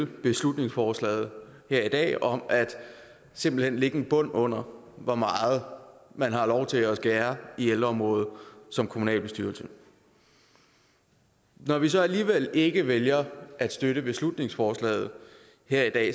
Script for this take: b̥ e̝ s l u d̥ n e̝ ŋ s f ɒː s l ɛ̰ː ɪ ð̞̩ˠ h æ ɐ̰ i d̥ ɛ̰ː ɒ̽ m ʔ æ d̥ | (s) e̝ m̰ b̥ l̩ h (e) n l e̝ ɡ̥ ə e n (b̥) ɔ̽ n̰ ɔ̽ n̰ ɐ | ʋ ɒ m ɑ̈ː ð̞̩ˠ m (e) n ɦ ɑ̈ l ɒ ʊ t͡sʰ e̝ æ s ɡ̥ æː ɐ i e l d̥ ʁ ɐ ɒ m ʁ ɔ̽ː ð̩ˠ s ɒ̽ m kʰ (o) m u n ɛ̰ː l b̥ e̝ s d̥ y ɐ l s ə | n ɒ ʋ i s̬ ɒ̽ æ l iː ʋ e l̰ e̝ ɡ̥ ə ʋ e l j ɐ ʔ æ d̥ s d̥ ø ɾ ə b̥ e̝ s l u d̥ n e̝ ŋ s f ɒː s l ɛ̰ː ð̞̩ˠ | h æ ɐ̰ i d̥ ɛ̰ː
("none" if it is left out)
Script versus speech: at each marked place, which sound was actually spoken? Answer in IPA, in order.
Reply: s, e, b̥, æ, o

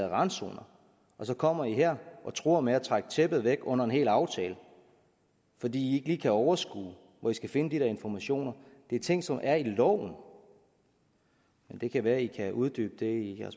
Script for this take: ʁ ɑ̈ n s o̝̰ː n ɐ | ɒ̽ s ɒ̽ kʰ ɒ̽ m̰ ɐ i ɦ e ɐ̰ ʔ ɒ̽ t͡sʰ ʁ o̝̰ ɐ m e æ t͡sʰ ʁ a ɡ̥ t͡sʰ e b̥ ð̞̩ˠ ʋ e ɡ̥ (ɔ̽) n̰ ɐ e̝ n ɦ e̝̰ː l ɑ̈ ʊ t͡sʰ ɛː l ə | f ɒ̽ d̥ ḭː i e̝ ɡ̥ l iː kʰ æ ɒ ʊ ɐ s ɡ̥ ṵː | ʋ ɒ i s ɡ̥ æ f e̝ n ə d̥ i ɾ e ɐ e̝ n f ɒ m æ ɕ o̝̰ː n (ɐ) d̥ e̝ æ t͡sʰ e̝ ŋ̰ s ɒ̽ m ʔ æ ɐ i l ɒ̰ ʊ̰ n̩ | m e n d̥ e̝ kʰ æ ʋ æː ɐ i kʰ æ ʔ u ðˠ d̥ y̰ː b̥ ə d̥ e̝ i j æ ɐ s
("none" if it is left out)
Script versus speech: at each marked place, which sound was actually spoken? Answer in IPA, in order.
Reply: ɔ̽, ɐ

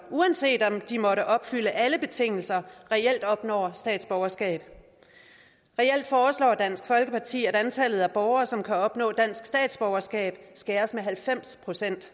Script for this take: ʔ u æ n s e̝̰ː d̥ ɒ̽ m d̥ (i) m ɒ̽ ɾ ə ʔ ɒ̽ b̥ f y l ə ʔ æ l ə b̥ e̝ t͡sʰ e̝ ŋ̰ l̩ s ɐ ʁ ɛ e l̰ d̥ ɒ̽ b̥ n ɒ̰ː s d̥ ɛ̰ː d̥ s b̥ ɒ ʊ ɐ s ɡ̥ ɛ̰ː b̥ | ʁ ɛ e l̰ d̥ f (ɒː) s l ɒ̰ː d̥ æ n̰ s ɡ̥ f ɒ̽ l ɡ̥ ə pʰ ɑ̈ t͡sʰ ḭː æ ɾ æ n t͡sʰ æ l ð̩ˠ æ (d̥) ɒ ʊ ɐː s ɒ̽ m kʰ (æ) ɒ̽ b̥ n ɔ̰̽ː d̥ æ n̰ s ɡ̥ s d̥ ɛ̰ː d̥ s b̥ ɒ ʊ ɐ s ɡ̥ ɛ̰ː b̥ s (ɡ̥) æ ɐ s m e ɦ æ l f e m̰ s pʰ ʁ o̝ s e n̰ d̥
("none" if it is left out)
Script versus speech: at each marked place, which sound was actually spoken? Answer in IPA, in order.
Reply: i, ɒː, b̥, æ, ɡ̥

